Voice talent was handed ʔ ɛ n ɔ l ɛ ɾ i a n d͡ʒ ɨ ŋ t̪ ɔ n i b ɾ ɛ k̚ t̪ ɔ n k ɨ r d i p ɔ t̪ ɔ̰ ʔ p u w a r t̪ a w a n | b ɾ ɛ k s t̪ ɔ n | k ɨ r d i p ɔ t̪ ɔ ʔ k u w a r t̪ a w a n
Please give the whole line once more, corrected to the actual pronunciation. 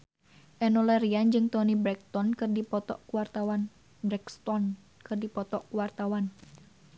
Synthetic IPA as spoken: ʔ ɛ n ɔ l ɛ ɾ i a n d͡ʒ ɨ ŋ t̪ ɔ n i b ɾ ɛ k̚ t̪ ɔ n k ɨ r d i p ɔ t̪ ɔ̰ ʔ k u w a r t̪ a w a n | b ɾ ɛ k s t̪ ɔ n | k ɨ r d i p ɔ t̪ ɔ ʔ k u w a r t̪ a w a n